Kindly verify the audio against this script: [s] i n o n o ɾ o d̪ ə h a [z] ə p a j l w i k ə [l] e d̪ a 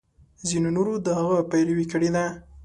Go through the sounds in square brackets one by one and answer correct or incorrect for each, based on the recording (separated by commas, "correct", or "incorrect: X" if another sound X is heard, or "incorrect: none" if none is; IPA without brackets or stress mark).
incorrect: z, incorrect: ɣ, incorrect: ɽ